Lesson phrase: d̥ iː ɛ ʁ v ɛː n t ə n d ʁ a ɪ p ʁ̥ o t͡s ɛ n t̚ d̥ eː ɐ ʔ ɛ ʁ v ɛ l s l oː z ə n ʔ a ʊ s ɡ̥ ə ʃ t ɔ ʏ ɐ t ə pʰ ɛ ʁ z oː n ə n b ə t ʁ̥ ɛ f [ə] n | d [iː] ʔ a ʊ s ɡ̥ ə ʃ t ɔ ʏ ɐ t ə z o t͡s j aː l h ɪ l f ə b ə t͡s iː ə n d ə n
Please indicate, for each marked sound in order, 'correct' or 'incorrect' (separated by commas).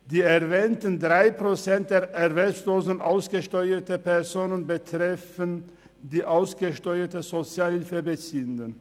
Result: correct, correct